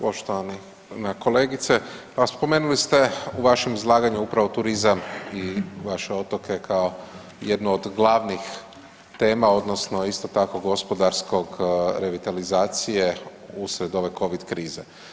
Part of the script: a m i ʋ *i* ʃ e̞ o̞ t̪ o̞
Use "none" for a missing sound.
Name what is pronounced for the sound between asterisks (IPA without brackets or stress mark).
a